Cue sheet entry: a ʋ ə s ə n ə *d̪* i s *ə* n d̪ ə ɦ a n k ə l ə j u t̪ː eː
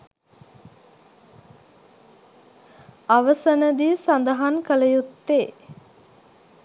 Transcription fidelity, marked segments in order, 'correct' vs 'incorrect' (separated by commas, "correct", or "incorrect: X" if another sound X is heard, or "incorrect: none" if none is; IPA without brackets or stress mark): correct, incorrect: a